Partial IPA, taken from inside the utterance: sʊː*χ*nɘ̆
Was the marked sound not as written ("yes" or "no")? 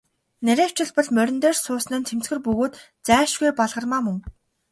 yes